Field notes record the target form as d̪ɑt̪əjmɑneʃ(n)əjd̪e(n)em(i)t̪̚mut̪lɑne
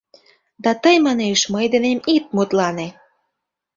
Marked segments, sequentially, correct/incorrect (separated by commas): incorrect, correct, correct